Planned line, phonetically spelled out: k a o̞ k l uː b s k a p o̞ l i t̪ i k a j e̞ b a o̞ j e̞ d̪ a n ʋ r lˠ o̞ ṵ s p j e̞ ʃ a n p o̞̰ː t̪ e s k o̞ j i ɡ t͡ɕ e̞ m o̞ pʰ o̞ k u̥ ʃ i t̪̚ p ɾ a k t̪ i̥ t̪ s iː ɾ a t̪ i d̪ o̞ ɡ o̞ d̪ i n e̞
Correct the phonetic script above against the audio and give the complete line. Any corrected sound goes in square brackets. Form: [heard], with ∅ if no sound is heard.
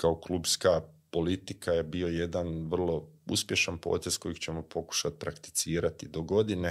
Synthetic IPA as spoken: k a o̞ k l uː b s k a p o̞ l i t̪ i k a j e̞ b [i] o̞ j e̞ d̪ a n ʋ r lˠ o̞ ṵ s p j e̞ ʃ a n p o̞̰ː t̪ e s k o̞ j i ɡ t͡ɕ e̞ m o̞ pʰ o̞ k u̥ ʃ [a] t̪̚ p ɾ a k t̪ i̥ t̪ s iː ɾ a t̪ i d̪ o̞ ɡ o̞ d̪ i n e̞